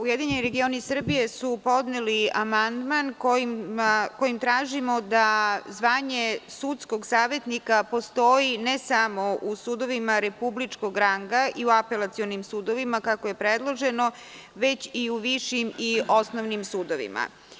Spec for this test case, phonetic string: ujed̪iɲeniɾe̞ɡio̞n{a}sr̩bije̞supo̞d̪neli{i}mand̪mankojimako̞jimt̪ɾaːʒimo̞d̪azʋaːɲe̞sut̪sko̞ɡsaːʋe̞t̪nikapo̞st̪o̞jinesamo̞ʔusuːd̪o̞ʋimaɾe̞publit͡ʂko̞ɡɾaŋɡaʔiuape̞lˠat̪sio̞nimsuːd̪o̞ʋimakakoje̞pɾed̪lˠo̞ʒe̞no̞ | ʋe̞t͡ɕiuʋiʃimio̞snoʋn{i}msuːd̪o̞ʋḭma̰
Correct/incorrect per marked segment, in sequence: incorrect: i, incorrect: a, correct

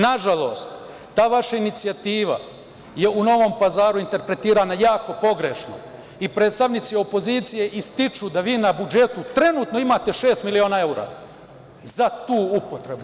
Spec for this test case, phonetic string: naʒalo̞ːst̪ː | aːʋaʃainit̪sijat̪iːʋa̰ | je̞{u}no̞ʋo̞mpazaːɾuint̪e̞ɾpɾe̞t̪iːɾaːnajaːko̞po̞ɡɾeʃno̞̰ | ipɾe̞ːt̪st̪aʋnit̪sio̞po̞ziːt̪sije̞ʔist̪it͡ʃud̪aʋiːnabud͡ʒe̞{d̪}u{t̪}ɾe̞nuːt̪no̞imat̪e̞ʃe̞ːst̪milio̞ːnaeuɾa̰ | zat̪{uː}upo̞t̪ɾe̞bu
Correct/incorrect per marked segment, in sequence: correct, incorrect: t̪, correct, correct

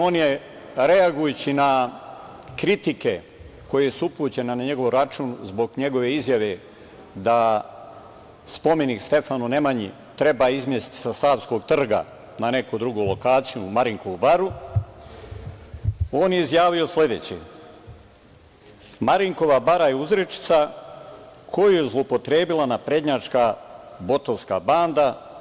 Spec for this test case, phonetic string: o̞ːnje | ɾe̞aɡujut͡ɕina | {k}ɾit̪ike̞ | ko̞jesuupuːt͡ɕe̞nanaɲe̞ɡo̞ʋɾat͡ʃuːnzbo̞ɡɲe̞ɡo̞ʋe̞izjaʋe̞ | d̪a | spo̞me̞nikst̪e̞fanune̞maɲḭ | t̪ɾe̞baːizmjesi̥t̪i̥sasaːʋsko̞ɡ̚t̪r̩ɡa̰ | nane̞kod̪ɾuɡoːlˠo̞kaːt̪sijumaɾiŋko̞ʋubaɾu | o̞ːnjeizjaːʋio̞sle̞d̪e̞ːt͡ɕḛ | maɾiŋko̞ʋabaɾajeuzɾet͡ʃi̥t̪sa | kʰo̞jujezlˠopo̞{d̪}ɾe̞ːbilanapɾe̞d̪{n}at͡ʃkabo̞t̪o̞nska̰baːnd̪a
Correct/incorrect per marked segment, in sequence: correct, incorrect: t̪, incorrect: ɲ

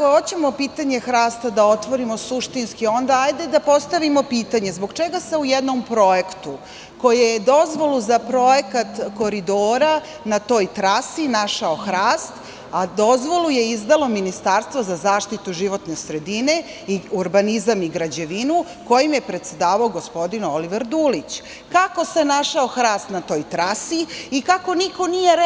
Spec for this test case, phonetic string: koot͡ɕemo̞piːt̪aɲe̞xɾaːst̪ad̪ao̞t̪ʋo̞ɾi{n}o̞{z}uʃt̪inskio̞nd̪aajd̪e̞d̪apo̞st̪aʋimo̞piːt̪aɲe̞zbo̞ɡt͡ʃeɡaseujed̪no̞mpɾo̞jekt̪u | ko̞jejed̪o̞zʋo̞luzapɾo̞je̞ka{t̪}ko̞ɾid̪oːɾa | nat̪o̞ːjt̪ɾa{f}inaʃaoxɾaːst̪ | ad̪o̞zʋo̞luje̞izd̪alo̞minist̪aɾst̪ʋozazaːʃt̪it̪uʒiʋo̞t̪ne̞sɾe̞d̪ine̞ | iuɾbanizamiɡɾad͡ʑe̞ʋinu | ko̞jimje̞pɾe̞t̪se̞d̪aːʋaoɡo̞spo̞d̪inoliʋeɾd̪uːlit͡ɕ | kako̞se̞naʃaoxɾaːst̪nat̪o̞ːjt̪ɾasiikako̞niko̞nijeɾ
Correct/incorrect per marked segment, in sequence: incorrect: m, incorrect: s, correct, incorrect: s

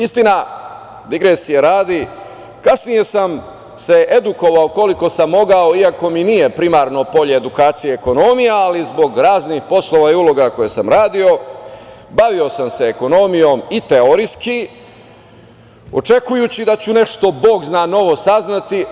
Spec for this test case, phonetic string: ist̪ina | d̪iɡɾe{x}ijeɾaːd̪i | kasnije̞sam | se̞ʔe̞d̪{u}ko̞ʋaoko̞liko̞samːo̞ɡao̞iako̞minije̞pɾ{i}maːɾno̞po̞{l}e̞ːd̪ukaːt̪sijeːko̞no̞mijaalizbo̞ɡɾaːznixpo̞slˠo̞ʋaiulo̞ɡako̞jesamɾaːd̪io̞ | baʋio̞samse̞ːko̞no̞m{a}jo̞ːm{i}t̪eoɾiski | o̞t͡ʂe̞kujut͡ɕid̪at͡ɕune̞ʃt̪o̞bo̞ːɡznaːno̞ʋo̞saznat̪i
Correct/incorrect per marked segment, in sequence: incorrect: s, correct, correct, incorrect: ʎ, incorrect: i, correct

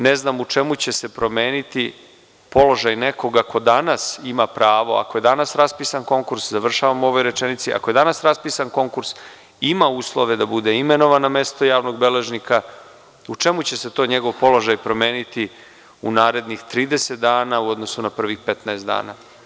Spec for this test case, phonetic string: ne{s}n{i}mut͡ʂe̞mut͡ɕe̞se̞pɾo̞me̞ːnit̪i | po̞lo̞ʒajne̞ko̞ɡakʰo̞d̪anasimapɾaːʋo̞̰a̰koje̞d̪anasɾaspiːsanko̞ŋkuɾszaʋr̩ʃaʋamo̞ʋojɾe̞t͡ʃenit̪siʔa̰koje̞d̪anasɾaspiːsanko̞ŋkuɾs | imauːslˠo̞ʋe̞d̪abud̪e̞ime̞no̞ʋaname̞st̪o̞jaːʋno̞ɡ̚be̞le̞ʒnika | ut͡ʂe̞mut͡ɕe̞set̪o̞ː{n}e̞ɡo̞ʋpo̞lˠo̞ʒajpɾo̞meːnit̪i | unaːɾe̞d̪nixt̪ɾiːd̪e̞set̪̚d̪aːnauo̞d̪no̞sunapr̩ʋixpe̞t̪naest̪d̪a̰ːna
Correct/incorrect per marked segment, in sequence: incorrect: z, incorrect: a, incorrect: ɲ

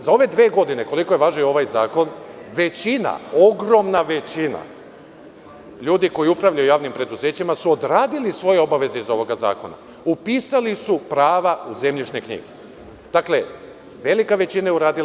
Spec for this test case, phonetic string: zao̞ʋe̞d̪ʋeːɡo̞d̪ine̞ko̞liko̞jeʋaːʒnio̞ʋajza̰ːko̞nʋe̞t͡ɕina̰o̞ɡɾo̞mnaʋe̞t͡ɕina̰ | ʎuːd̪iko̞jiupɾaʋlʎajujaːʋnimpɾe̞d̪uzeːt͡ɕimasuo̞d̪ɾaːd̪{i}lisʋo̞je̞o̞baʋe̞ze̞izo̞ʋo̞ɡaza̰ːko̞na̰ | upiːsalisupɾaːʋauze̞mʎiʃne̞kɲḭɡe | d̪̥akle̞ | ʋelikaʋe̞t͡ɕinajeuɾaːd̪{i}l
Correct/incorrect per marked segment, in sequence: correct, correct

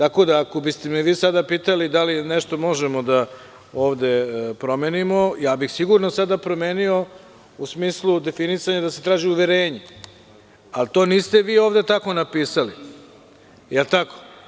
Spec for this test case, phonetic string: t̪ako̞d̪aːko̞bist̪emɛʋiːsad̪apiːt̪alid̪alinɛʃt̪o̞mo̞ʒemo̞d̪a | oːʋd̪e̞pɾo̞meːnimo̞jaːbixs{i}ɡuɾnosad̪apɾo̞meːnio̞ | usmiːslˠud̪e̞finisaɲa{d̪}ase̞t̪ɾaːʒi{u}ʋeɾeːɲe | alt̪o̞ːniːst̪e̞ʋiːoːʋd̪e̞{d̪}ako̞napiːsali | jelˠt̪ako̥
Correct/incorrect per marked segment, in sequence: correct, correct, correct, incorrect: t̪

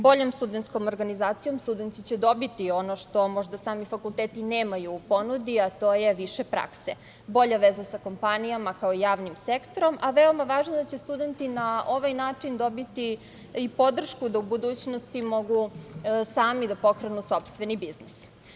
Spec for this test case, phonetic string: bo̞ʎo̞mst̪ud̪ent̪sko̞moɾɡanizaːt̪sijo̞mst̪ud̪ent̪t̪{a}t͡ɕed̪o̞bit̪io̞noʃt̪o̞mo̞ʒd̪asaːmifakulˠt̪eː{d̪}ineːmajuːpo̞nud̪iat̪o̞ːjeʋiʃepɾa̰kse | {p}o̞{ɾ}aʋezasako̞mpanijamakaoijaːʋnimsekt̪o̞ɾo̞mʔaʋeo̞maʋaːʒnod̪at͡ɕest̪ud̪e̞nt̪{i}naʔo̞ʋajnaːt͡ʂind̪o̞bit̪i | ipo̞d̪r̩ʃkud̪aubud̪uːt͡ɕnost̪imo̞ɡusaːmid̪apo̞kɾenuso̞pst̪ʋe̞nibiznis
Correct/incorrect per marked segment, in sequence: incorrect: i, incorrect: t̪, incorrect: b, incorrect: ʎ, correct

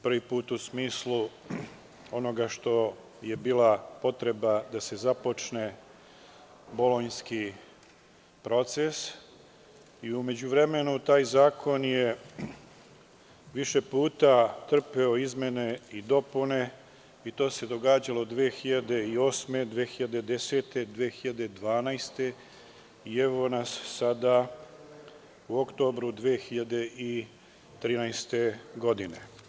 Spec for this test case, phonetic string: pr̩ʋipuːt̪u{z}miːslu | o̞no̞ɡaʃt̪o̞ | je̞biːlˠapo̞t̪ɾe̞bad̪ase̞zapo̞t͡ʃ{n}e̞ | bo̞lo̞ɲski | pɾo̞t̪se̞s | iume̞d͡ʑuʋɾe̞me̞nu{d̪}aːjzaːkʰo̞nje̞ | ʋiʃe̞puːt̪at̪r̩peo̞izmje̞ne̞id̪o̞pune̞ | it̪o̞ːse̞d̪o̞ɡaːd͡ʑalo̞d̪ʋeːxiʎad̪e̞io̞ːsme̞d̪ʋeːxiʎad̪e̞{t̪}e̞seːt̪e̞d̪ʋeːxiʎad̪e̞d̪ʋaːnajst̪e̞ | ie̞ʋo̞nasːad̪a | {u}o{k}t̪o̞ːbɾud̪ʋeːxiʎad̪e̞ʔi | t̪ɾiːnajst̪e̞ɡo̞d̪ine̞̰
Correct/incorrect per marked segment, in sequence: incorrect: s, correct, incorrect: t̪, incorrect: d̪, correct, correct

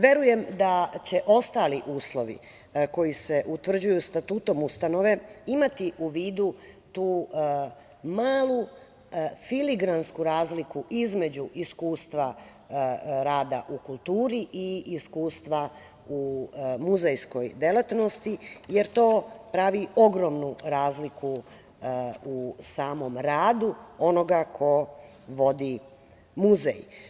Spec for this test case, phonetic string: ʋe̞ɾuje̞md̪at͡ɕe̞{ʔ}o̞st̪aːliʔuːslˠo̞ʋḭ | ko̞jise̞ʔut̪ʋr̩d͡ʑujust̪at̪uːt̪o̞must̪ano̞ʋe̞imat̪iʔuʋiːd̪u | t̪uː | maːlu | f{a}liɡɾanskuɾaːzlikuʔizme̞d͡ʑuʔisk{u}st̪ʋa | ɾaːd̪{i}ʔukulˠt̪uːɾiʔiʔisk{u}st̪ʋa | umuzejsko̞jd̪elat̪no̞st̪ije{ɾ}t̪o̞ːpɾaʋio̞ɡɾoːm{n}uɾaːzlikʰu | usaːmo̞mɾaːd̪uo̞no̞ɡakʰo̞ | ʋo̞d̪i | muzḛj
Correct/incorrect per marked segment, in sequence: correct, incorrect: i, incorrect: uː, incorrect: a, incorrect: uː, correct, correct

